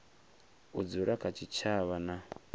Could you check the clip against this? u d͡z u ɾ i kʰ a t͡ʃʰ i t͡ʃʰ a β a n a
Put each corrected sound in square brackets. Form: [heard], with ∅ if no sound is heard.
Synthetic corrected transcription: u d͡z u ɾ [a] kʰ a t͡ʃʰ i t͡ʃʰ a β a n a